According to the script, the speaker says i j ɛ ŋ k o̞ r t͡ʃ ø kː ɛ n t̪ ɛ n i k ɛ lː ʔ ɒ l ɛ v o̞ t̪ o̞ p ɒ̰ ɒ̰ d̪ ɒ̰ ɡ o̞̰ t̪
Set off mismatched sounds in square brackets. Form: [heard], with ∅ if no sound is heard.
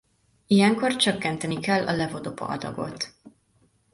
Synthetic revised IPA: i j ɛ ŋ k o̞ r t͡ʃ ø kː ɛ n t̪ ɛ n i k ɛ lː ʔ ɒ l ɛ v o̞ [d̪] o̞ p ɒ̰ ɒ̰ d̪ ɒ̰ ɡ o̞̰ t̪